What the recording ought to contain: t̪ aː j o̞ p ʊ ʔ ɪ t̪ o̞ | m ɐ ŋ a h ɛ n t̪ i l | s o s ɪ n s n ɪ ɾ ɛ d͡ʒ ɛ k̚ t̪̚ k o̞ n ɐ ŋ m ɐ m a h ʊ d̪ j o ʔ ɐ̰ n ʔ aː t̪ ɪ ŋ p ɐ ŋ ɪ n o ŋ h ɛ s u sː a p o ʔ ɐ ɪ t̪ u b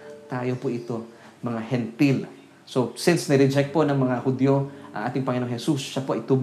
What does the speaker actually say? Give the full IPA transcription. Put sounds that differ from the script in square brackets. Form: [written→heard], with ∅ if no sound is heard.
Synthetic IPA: t̪ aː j o̞ p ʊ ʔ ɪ t̪ o̞ | m ɐ ŋ a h ɛ n t̪ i l | s o s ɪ n s n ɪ ɾ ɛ d͡ʒ ɛ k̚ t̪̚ [k→p] o̞ n ɐ ŋ m ɐ [m→ŋ] a h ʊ d̪ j o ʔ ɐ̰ [n→ŋ] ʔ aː t̪ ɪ ŋ p ɐ ŋ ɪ n o ŋ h ɛ s u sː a p o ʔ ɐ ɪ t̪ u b